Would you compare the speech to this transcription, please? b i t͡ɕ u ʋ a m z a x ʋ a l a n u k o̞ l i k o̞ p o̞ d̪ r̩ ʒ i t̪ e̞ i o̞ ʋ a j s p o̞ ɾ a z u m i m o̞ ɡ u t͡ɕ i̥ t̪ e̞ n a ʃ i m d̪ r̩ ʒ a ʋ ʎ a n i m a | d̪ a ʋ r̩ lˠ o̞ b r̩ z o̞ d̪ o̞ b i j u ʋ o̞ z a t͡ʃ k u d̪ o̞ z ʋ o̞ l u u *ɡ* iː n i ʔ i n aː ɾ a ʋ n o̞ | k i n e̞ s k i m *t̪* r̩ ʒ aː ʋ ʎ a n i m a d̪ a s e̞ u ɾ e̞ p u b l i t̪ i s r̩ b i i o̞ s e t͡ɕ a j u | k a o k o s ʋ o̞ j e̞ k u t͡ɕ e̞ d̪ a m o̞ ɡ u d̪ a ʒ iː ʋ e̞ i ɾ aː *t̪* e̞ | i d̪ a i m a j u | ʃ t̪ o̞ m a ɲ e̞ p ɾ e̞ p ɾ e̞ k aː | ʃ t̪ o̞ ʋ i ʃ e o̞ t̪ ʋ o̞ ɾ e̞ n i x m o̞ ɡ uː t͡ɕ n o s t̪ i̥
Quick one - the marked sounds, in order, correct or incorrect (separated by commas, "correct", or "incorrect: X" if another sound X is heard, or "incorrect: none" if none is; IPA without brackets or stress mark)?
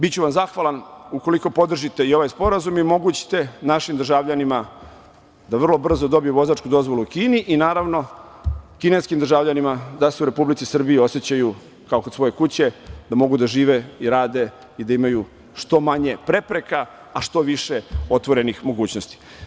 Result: incorrect: k, incorrect: d̪, incorrect: d̪